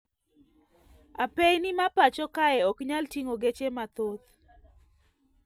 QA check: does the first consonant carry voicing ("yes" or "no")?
no